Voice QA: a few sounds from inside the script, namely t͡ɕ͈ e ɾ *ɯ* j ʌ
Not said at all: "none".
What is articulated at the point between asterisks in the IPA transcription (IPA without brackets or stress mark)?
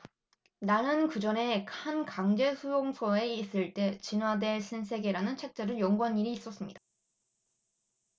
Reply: ɯ